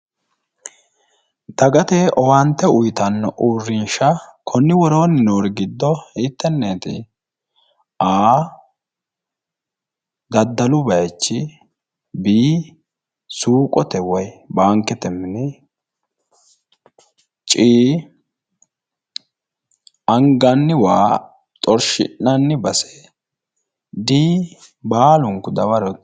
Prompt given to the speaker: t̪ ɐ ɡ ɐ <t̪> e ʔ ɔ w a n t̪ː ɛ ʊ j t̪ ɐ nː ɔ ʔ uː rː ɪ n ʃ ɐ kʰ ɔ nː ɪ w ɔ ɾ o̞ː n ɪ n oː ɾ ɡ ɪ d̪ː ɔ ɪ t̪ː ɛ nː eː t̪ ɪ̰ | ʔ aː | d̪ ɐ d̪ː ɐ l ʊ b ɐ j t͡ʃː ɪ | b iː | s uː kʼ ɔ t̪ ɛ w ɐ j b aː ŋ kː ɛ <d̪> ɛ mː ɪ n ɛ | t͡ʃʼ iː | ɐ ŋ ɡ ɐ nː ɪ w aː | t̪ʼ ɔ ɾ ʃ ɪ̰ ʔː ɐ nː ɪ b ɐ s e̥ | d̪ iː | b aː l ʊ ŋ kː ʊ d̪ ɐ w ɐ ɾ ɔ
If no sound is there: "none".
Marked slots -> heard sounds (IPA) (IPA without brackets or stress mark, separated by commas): t̪, t̪